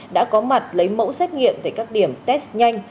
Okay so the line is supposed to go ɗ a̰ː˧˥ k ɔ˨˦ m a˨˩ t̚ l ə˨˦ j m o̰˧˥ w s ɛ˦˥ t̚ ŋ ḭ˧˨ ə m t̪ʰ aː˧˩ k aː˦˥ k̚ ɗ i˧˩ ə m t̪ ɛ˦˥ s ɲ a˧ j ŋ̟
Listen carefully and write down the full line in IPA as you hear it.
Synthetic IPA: ɗ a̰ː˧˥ k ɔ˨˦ m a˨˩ t̚ l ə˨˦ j m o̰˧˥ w s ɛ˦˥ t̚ ŋ ḭ˧˨ ə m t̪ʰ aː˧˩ k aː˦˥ k̚ ɗ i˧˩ ə m t̪ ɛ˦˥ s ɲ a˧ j ŋ̟